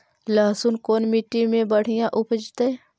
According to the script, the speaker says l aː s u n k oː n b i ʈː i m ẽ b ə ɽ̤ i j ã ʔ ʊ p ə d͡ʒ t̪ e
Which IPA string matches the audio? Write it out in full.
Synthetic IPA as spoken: l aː s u n k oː n m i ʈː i m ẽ b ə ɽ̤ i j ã ʔ ʊ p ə d͡ʒ t̪ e